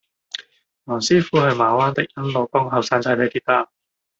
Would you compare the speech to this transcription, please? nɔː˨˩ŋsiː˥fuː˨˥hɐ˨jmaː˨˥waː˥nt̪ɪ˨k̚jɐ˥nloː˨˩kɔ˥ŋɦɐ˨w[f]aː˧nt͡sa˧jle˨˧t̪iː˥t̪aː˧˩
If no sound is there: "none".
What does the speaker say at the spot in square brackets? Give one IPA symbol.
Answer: s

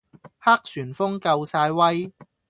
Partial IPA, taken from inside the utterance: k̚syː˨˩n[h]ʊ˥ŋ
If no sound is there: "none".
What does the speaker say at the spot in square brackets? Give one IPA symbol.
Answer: f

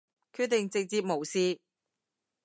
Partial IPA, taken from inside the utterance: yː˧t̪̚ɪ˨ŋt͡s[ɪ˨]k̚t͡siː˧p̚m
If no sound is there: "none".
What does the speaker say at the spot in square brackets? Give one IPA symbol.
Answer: ɪ˨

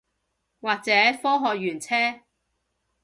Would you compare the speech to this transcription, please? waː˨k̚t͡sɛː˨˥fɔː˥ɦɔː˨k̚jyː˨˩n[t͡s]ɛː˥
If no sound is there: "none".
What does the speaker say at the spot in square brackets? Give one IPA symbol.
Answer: t͡sʰ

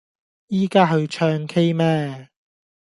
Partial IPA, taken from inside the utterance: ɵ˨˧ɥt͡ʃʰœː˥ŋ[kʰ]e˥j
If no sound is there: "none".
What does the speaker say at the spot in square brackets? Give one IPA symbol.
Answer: kʰ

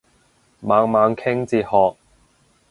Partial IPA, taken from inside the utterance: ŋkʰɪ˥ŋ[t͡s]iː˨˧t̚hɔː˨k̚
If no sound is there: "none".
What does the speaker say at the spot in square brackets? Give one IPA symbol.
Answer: t͡s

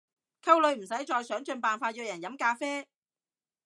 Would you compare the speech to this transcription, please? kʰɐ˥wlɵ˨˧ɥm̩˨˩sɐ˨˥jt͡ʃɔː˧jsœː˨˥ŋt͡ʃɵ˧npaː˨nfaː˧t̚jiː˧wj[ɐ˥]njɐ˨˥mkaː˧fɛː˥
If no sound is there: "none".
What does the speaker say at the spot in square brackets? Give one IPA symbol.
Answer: ɐ˨˩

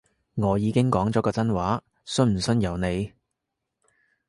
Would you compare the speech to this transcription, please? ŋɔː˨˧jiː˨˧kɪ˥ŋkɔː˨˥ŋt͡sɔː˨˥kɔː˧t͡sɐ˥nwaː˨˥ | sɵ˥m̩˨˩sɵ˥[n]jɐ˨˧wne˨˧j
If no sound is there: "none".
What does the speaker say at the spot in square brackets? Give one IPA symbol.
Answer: n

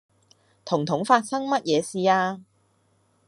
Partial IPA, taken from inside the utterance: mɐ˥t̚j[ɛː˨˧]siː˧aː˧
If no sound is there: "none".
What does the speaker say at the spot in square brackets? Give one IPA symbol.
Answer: ɛː˨˧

